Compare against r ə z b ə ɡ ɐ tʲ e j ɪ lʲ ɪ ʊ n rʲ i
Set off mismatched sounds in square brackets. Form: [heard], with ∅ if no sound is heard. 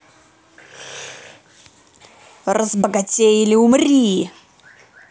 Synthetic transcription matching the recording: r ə z b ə ɡ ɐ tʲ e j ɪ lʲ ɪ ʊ [m] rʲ i